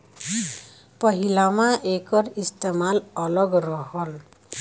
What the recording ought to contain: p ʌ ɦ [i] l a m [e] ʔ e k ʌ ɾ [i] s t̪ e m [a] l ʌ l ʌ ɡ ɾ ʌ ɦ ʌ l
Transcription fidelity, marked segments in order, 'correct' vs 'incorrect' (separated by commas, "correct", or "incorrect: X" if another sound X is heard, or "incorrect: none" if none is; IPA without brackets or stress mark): correct, incorrect: a, correct, correct